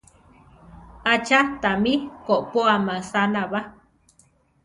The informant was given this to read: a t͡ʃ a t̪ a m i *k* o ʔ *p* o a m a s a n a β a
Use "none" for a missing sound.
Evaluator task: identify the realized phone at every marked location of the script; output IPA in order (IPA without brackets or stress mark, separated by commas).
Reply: k, p